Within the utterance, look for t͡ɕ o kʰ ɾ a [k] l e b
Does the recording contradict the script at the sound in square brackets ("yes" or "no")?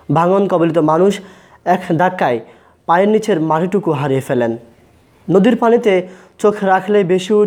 yes